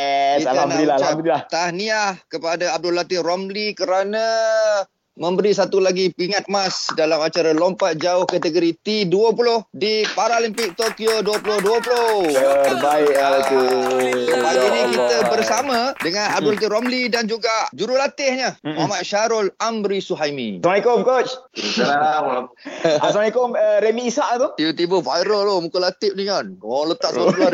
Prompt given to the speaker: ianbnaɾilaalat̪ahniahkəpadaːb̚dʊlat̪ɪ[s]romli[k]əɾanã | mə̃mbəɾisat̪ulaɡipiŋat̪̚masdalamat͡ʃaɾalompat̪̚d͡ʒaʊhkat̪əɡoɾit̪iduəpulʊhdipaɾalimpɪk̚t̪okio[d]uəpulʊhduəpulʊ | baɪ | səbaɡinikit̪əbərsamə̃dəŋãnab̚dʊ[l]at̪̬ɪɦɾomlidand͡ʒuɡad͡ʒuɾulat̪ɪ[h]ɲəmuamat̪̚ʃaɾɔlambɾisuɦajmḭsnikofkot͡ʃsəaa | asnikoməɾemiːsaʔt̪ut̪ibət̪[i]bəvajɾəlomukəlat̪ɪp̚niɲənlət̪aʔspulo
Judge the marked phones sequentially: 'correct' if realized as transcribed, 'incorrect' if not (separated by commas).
incorrect, correct, correct, correct, correct, correct